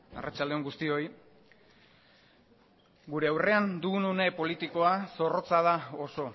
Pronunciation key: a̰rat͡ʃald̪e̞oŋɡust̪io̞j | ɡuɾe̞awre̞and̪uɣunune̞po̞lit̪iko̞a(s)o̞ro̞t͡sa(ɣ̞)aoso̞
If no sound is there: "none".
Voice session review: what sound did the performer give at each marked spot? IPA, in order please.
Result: s, ð̞

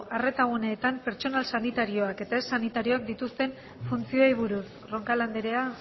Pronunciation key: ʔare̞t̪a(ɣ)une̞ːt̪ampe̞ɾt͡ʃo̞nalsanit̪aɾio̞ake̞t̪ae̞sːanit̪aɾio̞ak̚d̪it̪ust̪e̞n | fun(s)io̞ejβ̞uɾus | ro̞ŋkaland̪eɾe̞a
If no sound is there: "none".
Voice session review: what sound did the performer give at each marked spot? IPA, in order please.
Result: ɣ, t͡s

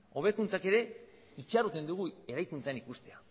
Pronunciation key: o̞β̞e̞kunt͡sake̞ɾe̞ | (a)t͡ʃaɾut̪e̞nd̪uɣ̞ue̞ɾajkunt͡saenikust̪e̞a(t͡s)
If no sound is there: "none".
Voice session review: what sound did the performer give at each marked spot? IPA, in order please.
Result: i, none

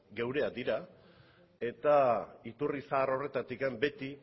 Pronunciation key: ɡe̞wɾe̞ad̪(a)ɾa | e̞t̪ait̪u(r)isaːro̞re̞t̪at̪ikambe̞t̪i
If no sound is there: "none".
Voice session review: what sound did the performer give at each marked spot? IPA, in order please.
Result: i, r

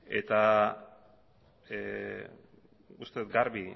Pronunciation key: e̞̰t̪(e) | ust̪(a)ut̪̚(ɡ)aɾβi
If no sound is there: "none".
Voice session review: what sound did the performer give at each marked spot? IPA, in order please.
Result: a, e, ɡ

